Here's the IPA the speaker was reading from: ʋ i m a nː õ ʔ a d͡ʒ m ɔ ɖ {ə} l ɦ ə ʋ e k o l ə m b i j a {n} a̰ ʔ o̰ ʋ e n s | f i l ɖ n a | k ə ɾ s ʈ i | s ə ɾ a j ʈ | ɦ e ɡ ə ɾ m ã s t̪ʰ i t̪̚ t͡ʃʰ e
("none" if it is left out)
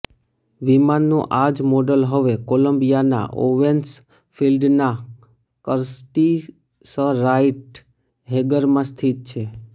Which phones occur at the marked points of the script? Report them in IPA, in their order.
ə, n

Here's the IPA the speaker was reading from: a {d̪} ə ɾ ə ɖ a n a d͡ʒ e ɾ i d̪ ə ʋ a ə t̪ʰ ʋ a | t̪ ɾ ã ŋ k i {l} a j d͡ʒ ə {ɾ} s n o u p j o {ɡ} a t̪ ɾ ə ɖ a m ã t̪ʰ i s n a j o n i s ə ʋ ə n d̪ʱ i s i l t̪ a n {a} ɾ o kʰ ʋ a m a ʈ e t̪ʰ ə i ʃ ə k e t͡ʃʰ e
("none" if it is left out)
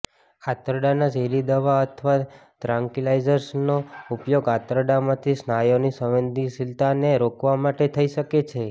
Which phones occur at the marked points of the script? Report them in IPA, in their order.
t̪, l, ɾ, ɡ, e

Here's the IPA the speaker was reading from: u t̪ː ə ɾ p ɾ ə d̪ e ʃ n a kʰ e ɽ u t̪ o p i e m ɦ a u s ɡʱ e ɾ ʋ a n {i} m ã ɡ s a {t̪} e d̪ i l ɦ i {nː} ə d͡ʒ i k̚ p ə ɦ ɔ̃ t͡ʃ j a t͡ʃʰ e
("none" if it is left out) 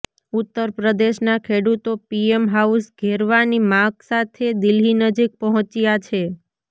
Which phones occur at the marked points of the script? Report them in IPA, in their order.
i, t̪ʰ, n

